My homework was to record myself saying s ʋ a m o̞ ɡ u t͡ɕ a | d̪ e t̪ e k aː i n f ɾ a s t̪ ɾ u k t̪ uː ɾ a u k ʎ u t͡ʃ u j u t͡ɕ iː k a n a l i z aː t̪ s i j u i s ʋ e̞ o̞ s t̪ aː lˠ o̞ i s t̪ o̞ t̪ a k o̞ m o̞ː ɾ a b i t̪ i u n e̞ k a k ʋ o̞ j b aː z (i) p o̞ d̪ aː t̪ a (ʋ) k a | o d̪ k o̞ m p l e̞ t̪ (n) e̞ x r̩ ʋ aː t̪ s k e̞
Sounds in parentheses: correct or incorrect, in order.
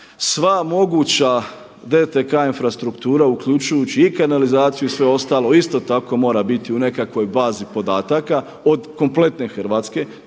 correct, incorrect: none, correct

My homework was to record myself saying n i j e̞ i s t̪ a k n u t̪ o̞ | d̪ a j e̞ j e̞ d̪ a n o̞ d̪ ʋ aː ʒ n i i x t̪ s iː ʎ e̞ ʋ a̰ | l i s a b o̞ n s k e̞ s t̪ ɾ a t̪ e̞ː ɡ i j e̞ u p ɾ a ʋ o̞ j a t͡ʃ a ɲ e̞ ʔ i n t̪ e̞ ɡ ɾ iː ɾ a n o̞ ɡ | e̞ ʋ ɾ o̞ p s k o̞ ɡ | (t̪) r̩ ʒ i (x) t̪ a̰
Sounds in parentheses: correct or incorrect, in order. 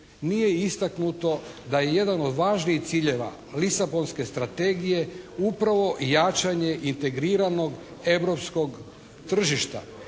correct, incorrect: ʃ

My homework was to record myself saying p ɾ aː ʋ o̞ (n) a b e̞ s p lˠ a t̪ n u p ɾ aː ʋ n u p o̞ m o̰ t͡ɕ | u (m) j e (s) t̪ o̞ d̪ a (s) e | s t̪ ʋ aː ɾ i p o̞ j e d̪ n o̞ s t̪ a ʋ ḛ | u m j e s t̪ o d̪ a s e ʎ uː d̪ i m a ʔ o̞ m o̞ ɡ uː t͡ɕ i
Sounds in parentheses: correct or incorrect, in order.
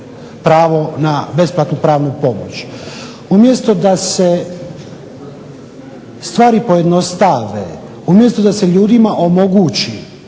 correct, correct, correct, correct

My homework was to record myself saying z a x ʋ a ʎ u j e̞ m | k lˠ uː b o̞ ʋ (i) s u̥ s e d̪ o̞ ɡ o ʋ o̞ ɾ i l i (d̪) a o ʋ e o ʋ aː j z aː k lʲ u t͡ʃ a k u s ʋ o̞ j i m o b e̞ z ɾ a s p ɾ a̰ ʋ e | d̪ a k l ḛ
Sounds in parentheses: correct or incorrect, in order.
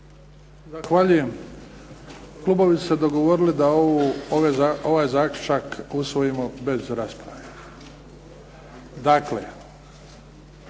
correct, correct

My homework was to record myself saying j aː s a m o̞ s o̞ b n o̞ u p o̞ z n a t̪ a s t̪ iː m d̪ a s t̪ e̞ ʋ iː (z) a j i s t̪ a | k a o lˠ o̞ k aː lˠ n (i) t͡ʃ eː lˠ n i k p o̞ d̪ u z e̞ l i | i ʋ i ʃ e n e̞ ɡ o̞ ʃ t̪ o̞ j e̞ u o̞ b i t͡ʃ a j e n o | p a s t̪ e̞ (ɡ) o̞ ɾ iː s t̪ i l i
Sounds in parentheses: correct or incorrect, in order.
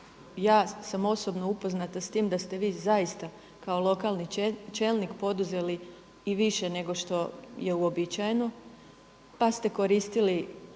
correct, correct, incorrect: k

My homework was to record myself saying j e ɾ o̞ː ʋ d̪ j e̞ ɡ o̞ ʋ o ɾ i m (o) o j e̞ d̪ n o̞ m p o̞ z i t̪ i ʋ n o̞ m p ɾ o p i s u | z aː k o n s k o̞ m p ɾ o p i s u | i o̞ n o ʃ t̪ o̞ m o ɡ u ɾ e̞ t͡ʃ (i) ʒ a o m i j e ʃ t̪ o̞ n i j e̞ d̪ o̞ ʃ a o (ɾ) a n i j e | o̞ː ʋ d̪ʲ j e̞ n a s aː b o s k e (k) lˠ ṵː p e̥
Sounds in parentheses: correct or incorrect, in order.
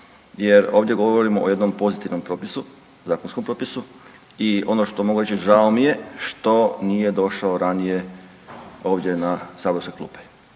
correct, correct, correct, correct

